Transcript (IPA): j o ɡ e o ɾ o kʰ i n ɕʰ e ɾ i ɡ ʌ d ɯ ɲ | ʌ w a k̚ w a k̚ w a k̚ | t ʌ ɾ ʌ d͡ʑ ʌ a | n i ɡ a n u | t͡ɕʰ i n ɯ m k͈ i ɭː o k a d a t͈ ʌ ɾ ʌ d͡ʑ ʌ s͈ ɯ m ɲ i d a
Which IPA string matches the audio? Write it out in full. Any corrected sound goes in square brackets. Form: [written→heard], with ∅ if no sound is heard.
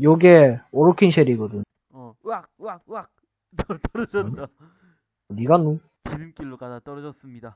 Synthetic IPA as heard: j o ɡ e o ɾ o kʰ i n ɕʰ e ɾ i ɡ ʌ d ɯ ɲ | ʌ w a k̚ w a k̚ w a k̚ | t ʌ ɾ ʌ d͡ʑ ʌ a | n i ɡ a n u | [t͡ɕʰ→t͡ɕ] i n ɯ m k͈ i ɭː o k a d a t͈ ʌ ɾ ʌ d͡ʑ ʌ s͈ ɯ m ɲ i d a